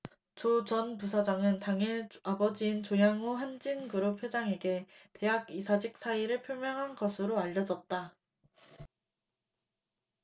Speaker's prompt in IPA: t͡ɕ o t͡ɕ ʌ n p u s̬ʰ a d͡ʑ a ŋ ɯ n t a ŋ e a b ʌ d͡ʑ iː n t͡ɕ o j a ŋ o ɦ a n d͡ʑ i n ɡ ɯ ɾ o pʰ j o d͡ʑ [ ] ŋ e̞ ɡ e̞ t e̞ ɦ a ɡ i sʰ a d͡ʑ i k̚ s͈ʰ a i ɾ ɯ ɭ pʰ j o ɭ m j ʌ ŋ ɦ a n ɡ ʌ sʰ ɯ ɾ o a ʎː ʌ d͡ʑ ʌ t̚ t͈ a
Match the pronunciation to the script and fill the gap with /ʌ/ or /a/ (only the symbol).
a